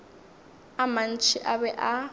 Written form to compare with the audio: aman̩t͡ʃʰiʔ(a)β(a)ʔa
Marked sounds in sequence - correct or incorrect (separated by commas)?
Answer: correct, incorrect